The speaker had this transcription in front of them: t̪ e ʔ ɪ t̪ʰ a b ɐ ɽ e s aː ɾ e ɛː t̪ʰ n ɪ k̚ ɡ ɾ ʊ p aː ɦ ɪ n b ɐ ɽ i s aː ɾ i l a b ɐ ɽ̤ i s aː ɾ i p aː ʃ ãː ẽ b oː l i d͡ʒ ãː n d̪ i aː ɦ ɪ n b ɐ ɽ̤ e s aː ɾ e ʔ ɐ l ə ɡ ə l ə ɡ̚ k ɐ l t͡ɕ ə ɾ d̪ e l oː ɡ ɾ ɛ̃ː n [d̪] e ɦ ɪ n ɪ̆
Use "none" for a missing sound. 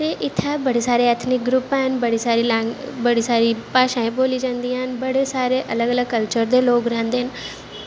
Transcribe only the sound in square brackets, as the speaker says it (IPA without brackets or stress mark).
d̪